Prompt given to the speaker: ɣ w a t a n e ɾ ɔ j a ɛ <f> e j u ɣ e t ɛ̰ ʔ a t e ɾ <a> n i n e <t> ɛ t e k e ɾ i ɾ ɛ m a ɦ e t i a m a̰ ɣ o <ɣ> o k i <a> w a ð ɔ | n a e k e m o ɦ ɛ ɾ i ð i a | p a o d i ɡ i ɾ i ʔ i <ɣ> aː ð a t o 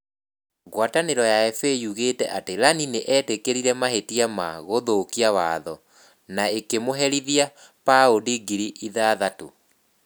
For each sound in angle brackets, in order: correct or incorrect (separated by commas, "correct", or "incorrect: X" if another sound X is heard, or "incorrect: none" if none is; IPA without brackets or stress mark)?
correct, correct, incorrect: ʔ, incorrect: ð, correct, incorrect: ð